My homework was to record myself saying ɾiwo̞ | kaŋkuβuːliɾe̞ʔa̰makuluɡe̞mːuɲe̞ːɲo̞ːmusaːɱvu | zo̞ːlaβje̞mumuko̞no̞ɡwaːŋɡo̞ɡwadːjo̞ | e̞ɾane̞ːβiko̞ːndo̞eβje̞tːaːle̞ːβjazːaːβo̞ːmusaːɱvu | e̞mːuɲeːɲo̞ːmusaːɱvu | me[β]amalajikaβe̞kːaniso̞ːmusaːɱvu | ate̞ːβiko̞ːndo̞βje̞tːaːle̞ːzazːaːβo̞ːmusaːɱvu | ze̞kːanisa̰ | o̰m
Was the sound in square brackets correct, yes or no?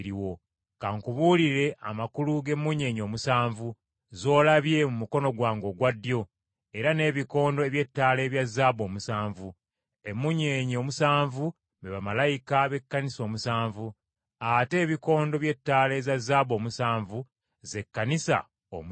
yes